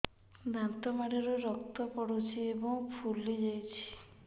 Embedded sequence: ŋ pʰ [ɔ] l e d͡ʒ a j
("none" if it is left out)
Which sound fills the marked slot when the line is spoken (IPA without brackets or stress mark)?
u